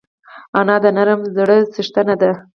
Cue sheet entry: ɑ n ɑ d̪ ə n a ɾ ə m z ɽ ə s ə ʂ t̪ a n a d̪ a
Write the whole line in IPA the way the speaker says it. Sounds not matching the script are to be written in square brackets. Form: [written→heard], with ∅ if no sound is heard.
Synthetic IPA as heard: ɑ n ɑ d̪ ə n a ɾ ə m z ɽ ə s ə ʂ t̪ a n a d̪ a